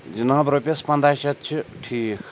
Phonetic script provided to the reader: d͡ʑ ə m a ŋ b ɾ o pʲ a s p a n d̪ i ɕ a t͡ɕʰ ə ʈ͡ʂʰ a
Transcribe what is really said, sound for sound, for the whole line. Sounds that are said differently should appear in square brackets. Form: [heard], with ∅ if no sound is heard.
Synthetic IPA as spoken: d͡ʑ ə [n] a ŋ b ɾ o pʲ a s p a n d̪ [a] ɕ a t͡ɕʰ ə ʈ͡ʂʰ [i]